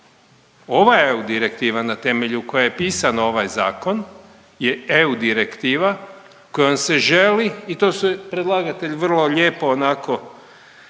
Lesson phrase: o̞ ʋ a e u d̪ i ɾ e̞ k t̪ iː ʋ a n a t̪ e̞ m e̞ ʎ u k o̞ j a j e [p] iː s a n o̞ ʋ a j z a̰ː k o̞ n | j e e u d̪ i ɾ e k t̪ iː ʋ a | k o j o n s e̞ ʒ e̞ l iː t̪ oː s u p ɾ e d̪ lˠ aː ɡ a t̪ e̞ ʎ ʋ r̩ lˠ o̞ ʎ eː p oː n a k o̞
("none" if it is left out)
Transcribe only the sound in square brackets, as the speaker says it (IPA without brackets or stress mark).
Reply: p